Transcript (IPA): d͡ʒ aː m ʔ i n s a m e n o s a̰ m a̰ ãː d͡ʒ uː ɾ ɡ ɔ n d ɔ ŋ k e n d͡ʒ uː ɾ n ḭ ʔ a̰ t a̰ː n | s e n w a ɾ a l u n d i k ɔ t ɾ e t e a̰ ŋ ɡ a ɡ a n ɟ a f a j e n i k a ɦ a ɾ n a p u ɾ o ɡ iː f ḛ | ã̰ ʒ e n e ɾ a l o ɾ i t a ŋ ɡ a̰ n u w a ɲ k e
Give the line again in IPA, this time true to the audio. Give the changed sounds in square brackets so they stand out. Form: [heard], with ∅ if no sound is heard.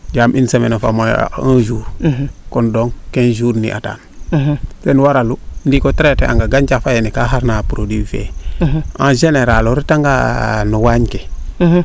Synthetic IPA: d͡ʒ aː m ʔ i n s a m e n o [f] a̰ m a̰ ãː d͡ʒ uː ɾ [k] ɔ n d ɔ ŋ k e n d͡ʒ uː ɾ n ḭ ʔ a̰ t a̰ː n | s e n w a ɾ a l u n d i k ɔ t ɾ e t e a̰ ŋ ɡ a ɡ a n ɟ a f a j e n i k a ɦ a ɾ n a p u ɾ o [d] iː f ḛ | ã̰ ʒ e n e ɾ a l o ɾ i t a ŋ ɡ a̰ n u w a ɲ k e